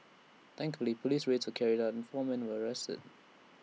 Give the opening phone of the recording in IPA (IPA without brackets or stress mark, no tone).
θ